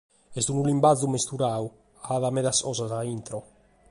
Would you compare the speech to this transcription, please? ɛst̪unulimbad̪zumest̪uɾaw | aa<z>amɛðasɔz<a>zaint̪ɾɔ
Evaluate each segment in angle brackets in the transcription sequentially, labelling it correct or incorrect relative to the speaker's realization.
incorrect: ð, correct

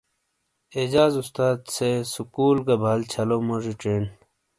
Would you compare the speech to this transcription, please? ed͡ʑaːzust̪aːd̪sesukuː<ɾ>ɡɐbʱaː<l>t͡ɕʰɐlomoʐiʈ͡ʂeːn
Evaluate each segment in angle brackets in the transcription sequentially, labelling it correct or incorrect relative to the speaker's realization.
incorrect: l, correct

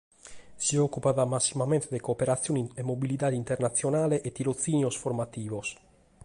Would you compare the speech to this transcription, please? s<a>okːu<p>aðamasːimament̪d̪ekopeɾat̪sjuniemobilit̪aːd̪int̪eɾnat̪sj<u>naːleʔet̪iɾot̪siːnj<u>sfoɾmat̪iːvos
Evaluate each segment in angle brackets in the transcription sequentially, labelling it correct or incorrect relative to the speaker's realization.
incorrect: i, correct, incorrect: o, incorrect: o

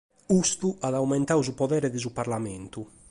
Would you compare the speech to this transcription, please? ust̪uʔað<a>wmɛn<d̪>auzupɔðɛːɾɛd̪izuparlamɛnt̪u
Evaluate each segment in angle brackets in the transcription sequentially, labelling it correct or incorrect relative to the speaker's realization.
correct, incorrect: t̪

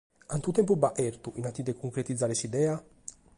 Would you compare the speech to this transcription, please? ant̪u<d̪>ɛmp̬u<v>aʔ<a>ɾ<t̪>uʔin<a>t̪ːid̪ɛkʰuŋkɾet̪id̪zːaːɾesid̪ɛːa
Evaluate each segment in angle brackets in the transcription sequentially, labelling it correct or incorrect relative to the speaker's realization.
incorrect: t̪, incorrect: b, incorrect: ɛ, correct, correct

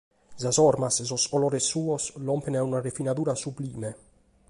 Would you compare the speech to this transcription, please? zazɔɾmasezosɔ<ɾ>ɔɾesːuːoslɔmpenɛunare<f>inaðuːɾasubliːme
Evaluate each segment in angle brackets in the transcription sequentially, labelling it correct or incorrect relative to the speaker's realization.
incorrect: l, correct

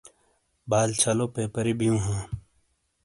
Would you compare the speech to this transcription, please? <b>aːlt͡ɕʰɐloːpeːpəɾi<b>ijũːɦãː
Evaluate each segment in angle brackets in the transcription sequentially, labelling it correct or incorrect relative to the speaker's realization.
correct, correct

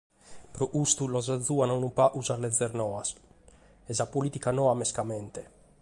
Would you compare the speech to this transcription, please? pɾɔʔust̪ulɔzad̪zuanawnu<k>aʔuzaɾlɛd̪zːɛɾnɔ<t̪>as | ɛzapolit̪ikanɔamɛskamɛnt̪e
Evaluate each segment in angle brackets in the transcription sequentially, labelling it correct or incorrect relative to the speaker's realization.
incorrect: p, incorrect: none

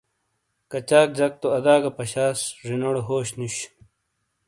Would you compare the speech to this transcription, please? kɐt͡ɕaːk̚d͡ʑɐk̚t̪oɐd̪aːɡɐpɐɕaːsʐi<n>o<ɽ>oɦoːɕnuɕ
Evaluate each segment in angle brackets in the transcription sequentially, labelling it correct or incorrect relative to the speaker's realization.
correct, correct

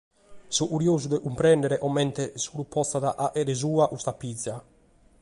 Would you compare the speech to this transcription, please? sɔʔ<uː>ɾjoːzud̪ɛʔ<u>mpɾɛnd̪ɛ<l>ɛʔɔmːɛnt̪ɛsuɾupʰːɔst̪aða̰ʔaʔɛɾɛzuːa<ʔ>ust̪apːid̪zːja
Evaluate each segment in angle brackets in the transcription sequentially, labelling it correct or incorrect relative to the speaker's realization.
incorrect: u, correct, incorrect: ɾ, correct

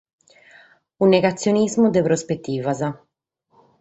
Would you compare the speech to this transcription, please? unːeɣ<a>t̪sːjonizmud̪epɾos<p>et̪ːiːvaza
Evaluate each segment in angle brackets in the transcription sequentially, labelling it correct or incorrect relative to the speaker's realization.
correct, correct

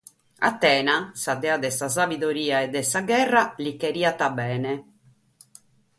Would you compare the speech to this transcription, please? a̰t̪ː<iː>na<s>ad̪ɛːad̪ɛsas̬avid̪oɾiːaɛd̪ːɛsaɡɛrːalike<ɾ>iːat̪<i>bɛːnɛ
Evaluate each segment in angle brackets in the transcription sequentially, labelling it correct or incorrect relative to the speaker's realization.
incorrect: ɛː, correct, correct, incorrect: a

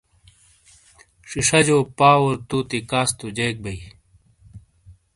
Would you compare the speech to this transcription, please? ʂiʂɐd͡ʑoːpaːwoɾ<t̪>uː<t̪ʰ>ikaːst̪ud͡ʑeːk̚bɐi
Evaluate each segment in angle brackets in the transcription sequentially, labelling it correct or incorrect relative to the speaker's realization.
correct, incorrect: t̪

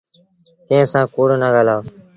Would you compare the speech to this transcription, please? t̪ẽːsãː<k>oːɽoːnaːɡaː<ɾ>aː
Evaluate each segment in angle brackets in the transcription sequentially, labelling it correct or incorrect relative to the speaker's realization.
correct, incorrect: l

